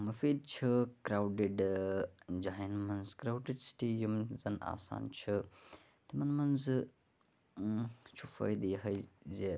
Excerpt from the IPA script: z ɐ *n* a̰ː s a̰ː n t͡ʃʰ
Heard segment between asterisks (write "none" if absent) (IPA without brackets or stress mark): n